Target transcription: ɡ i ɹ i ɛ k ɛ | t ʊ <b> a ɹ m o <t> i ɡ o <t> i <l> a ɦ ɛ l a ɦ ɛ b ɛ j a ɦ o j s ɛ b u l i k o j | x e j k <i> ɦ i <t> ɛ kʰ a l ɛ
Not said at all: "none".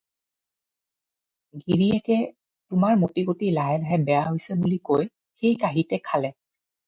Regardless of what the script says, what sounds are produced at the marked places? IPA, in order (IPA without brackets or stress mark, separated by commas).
m, t, t, l, a, t